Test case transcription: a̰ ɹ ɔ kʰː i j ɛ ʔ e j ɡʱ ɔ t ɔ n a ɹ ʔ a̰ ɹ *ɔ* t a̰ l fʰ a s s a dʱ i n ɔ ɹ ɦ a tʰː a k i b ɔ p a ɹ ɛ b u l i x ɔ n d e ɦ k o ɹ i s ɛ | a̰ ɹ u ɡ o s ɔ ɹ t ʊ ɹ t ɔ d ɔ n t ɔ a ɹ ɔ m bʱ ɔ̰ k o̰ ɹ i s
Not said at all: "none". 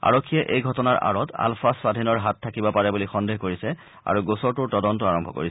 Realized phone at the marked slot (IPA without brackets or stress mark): ɔ